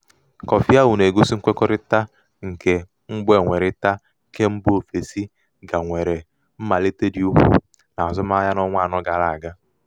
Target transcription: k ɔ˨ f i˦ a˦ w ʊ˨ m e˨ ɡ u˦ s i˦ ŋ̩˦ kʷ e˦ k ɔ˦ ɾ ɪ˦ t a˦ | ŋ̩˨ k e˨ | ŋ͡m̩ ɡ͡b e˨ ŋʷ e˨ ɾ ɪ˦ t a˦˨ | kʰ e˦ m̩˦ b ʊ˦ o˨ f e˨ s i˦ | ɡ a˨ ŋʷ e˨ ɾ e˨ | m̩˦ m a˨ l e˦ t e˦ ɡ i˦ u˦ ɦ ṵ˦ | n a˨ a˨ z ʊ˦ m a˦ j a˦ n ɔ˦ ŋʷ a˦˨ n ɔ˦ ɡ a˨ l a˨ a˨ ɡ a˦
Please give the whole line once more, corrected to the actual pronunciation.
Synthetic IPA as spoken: k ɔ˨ f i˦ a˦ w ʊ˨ n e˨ ɡ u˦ s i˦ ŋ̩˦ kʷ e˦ k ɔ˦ ɾ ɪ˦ t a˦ | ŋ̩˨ k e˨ | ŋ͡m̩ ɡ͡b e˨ ŋʷ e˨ ɾ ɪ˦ t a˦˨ | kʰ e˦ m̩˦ b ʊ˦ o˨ f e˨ s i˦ | ɡ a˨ ŋʷ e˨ ɾ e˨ | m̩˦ m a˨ l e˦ t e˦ d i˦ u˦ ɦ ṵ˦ | n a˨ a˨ z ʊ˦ m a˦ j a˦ n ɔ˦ ŋʷ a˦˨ n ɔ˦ ɡ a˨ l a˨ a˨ ɡ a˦